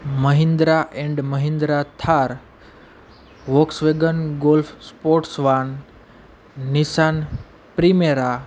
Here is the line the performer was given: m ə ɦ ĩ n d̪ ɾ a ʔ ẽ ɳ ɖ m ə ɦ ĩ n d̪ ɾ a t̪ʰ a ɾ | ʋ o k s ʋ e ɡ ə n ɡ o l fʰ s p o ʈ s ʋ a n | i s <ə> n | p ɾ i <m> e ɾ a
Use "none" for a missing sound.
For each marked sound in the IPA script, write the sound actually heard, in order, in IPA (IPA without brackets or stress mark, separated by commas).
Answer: a, m